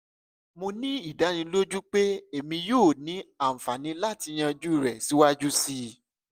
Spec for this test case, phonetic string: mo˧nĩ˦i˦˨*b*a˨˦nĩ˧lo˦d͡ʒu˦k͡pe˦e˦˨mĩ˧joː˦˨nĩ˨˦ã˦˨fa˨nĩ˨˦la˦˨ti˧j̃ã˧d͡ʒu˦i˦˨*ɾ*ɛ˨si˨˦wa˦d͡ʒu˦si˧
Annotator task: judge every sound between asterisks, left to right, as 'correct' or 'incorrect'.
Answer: incorrect: d, correct

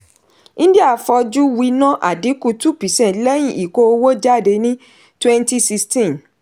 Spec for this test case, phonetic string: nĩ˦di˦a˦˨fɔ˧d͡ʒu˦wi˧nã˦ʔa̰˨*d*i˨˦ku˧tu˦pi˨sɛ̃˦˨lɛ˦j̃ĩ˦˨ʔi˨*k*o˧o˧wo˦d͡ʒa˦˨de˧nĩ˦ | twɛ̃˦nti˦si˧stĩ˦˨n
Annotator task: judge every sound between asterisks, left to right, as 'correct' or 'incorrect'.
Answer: correct, correct

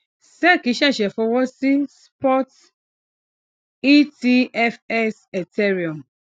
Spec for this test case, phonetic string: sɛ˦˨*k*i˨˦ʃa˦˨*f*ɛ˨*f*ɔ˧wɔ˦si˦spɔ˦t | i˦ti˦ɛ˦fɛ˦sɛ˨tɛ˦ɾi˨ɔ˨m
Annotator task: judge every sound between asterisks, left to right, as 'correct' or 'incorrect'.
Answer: correct, incorrect: ʃ, correct

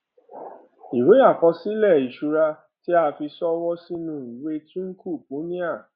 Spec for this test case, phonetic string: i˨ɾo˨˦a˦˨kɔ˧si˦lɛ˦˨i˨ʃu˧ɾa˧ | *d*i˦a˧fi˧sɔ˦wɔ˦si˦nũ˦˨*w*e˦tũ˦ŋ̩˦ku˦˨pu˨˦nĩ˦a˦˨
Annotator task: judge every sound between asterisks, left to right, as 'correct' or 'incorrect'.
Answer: incorrect: t, correct

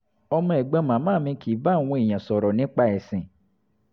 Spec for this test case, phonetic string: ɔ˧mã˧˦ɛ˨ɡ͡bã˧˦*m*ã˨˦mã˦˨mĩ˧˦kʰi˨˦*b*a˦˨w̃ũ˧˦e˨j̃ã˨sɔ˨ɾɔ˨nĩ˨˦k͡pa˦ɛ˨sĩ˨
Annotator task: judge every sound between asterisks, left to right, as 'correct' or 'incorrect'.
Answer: correct, correct

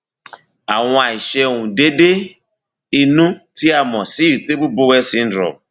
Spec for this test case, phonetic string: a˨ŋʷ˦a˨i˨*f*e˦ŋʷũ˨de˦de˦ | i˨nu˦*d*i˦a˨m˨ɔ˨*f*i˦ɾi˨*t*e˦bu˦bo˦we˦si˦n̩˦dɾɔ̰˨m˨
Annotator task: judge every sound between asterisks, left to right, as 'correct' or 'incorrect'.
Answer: incorrect: ʃ, incorrect: t, incorrect: s, correct

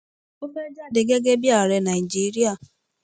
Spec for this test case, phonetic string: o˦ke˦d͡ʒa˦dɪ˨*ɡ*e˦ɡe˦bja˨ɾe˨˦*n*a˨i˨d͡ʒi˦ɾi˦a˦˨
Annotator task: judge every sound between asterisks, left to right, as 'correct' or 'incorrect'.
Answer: correct, correct

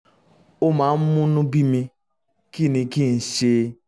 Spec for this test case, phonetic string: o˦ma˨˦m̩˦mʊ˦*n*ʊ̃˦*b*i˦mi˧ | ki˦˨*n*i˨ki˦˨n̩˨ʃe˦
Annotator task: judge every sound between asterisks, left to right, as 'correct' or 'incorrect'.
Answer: correct, correct, correct

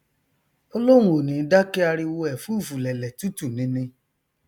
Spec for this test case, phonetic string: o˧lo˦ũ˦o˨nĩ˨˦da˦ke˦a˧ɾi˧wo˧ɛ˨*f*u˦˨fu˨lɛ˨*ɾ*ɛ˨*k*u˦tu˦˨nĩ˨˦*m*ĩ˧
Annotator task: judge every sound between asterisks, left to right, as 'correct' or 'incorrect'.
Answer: correct, incorrect: l, incorrect: t, incorrect: n

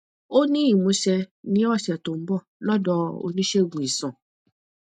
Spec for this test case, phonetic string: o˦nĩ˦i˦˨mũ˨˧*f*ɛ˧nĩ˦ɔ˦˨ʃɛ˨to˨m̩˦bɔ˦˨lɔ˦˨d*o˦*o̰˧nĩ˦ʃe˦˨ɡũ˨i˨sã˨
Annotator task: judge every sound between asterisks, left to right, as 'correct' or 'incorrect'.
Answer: incorrect: ʃ, incorrect: ɔ˦

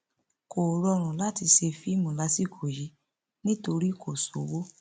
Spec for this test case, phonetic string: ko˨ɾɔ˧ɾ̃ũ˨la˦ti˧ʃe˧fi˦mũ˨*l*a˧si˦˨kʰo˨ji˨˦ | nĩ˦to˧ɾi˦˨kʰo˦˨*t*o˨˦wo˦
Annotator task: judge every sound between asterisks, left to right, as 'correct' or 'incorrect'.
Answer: correct, incorrect: s

